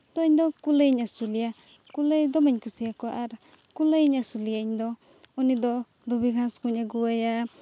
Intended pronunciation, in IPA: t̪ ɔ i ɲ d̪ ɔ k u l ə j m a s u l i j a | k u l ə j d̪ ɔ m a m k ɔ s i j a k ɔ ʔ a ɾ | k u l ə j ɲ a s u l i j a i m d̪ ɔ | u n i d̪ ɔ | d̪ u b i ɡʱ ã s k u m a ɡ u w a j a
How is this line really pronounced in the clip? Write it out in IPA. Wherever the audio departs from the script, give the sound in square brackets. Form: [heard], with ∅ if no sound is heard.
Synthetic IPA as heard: t̪ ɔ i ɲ d̪ ɔ k u l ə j [ɲ] a s u l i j a | k u l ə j d̪ ɔ m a [ɲ] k [u] s i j a k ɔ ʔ a ɾ | k u l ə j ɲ a s u l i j a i [ɲ] d̪ ɔ | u n i d̪ ɔ | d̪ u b i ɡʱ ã s k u [ɲ] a ɡ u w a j a